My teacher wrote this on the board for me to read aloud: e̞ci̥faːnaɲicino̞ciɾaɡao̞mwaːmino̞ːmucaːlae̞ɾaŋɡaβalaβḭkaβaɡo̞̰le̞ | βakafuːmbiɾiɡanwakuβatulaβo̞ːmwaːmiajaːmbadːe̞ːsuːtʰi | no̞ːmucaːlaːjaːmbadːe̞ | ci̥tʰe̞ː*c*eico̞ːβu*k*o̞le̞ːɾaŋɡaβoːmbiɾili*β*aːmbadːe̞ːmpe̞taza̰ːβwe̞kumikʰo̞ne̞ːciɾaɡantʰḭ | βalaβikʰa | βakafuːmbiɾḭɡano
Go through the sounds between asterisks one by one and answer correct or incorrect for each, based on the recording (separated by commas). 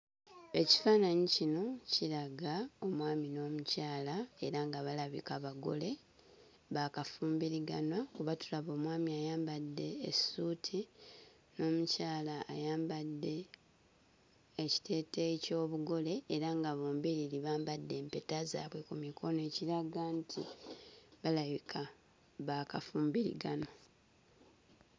incorrect, incorrect, correct